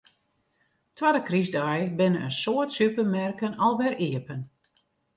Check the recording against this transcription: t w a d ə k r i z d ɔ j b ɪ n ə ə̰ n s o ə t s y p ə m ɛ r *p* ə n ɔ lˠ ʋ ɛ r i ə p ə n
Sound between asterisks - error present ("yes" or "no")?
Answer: yes